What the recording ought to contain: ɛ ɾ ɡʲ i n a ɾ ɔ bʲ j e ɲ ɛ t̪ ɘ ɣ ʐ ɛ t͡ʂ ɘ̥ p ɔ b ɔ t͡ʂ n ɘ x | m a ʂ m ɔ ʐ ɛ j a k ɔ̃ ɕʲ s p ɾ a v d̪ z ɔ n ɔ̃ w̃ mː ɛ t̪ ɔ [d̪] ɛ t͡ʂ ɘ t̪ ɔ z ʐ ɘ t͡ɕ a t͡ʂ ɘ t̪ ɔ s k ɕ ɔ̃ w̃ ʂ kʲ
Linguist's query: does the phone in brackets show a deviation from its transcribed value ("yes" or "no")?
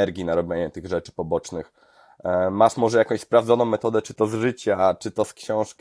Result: no